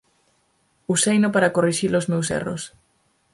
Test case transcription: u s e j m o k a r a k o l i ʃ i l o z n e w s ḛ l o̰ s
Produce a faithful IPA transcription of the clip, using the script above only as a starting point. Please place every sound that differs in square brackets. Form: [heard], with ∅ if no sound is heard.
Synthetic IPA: u s e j [n] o [p] a [ɾ] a k o [r] i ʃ i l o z [m] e w s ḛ [r] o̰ s